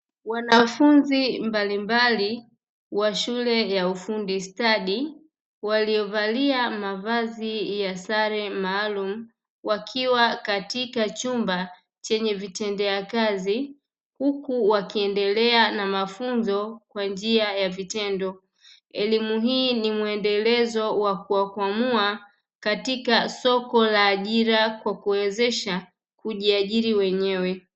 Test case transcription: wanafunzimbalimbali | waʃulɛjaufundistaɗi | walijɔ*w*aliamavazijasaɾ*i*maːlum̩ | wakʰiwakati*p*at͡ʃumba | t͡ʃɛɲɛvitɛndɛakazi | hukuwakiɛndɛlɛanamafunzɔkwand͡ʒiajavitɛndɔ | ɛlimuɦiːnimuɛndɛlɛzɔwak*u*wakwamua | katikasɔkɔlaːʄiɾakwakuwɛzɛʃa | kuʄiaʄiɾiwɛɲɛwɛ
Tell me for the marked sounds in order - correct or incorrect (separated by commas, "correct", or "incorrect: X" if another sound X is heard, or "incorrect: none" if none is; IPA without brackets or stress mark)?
incorrect: v, incorrect: ɛ, incorrect: k, correct